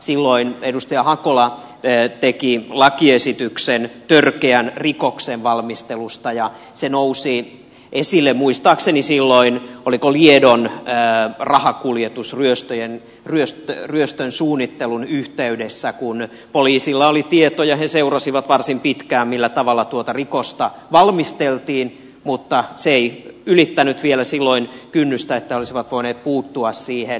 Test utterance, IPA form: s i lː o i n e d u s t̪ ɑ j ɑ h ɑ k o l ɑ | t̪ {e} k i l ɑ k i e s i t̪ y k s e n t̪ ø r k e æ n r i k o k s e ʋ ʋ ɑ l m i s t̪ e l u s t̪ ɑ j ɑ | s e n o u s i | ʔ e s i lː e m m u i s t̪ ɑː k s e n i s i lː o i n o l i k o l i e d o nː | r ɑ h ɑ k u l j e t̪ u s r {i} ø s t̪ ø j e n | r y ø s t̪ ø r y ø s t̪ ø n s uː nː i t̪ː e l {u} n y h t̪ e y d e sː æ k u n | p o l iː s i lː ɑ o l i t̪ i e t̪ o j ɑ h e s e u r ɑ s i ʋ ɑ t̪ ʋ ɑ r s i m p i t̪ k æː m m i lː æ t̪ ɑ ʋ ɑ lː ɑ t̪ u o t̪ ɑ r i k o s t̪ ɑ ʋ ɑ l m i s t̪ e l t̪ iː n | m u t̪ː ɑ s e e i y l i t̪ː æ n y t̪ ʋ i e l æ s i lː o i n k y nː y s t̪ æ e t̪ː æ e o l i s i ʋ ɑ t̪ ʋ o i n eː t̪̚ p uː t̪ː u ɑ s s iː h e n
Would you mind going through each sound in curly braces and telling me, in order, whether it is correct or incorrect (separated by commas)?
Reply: correct, incorrect, correct